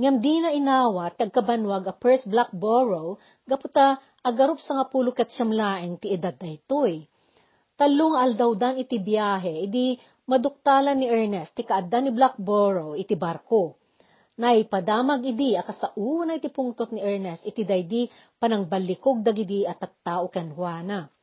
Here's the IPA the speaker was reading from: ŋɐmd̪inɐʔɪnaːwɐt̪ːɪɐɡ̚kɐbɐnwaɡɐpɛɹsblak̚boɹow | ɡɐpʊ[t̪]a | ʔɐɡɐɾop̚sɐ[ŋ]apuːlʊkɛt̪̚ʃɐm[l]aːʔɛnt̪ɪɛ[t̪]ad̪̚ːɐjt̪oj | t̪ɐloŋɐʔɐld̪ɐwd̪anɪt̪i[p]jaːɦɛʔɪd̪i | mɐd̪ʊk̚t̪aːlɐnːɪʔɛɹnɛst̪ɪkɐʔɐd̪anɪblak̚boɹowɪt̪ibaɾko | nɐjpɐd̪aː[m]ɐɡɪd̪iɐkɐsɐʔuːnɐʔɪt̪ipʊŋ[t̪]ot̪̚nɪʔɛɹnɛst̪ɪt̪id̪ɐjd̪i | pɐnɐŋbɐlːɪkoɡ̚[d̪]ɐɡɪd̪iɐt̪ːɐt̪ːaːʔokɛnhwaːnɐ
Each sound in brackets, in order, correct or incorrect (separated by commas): correct, correct, correct, incorrect, incorrect, correct, correct, correct